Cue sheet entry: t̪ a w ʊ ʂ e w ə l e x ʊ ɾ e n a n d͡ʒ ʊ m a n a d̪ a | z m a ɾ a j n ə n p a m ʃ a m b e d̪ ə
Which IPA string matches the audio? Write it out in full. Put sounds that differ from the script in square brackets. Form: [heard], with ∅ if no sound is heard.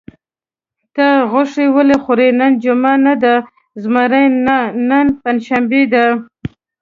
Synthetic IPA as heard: t̪ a [ɣ] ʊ ʂ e w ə l e x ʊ ɾ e n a n d͡ʒ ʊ m a n a d̪ a | z m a ɾ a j n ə n p a [n] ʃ a m b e d̪ [a]